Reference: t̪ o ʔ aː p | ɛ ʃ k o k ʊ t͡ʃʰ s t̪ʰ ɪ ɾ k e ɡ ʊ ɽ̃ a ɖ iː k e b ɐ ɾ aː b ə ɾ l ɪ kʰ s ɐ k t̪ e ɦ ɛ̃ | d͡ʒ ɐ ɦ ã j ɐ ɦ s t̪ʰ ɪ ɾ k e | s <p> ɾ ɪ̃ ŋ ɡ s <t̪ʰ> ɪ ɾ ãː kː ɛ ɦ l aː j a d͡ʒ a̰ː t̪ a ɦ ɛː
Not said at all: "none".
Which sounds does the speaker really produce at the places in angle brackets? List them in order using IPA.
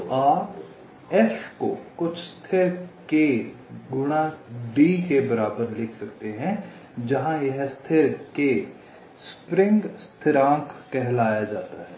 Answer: p, t̪ʰ

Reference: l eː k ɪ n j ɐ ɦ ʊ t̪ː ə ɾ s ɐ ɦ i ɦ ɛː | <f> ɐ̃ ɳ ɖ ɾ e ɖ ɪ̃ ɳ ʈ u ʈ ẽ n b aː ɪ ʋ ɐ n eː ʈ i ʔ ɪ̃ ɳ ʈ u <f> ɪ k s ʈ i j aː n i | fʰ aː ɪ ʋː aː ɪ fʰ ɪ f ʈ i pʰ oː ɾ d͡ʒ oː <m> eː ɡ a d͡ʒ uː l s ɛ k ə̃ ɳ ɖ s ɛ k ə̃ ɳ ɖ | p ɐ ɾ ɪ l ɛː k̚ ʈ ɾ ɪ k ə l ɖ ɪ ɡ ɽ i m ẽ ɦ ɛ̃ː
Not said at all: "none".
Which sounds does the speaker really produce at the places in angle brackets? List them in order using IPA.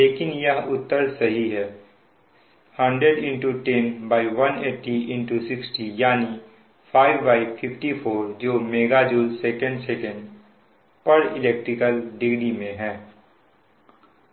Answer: h, s, m

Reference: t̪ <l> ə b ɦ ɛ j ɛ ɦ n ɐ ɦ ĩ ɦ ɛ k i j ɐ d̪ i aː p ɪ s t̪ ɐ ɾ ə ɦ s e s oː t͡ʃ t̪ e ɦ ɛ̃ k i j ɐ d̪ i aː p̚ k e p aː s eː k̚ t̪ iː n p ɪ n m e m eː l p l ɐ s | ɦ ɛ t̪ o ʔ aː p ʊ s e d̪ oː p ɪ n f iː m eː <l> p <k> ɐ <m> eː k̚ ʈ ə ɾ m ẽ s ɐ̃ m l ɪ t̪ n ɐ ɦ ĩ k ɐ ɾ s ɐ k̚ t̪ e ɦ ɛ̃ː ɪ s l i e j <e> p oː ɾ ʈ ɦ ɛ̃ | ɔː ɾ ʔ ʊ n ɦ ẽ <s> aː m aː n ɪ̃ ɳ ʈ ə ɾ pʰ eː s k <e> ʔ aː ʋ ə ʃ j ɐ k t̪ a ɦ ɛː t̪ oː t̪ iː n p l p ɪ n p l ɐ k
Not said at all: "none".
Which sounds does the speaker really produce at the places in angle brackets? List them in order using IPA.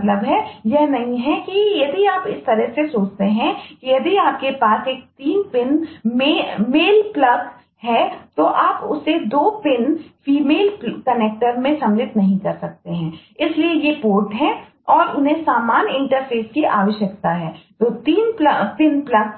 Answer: l, l, k, n, e, s, i

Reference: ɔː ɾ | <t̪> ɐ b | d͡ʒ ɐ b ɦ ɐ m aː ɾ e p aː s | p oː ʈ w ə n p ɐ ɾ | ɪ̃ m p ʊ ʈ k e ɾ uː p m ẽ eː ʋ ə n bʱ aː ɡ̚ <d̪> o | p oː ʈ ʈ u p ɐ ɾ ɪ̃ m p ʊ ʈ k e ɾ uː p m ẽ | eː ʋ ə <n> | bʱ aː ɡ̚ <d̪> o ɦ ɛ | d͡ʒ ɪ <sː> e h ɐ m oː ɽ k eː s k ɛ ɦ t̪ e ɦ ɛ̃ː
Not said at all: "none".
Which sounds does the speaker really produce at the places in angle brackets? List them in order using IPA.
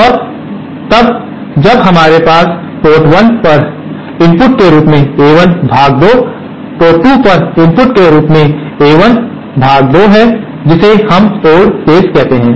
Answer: t̪, d̪, n, d̪, s

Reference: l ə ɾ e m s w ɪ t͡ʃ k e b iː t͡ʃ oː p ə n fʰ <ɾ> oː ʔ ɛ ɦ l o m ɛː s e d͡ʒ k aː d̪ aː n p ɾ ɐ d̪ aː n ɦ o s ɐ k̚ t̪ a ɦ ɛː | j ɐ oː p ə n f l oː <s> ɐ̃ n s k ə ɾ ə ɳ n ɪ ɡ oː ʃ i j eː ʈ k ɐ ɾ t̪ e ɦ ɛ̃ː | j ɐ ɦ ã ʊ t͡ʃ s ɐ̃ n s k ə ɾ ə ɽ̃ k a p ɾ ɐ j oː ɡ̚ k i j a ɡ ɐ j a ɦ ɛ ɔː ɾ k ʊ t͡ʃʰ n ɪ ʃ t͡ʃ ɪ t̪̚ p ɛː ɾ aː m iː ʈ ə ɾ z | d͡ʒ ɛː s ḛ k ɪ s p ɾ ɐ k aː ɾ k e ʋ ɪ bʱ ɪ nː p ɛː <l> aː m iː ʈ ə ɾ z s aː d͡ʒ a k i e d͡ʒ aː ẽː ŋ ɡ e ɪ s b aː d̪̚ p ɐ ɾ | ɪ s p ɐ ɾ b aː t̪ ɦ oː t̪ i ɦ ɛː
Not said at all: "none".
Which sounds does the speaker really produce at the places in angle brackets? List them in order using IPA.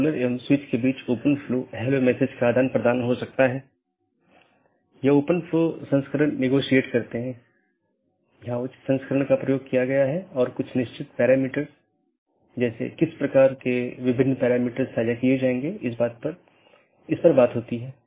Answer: l, s, ɾ

